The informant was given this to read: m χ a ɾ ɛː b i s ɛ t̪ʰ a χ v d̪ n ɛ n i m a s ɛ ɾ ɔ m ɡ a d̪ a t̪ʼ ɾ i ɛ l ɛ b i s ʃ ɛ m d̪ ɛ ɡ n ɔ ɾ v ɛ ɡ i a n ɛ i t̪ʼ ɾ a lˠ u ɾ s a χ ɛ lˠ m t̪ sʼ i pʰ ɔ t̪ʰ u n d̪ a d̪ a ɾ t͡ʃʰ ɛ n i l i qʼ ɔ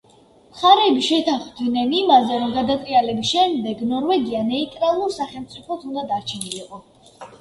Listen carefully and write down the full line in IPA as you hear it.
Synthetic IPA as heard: m χ a ɾ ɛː b i ʃ ɛ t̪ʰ a χ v d̪ n ɛ n i m a z ɛ ɾ ɔ m ɡ a d̪ a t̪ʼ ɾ i a l ɛ b i s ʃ ɛ m d̪ ɛ ɡ n ɔ ɾ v ɛ ɡ i a n ɛ i t̪ʼ ɾ a lˠ u ɾ s a χ ɛ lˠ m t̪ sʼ i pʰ ɔ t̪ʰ u n d̪ a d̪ a ɾ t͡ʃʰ ɛ n i l i qʼ ɔ